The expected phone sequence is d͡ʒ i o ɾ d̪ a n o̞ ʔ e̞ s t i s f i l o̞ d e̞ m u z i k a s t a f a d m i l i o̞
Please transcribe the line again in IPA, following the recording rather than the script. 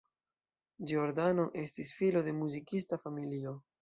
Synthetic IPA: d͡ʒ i o ɾ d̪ a n o̞ ʔ e̞ s t i s f i l o̞ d e̞ m u z i k i s t a f a m i l i o̞